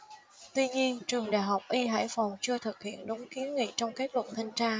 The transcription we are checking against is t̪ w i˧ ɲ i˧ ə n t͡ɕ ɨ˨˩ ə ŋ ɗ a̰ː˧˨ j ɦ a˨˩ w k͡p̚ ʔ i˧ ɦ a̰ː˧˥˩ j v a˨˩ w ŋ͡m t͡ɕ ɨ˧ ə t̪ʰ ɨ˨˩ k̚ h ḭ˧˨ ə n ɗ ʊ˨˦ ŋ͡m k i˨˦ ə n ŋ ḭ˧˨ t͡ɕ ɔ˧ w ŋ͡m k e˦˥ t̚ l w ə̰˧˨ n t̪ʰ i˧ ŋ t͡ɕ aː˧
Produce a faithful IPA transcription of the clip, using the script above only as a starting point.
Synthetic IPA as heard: t̪ w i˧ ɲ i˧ ə n t͡ɕ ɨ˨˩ ə ŋ ɗ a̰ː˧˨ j ɦ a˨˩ w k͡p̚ ʔ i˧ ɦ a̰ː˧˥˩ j f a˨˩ w ŋ͡m t͡ɕ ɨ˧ ə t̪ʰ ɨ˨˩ k̚ h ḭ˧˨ ə n ɗ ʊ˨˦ ŋ͡m k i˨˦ ə n ŋ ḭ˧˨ t͡ɕ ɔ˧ w ŋ͡m k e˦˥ t̚ l w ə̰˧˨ n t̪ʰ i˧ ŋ t͡ɕ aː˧